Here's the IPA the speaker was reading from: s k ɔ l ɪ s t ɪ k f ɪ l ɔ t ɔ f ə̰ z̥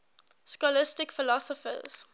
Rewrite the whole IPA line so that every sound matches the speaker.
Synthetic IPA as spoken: s k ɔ l ɪ s t ɪ k f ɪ l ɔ s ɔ f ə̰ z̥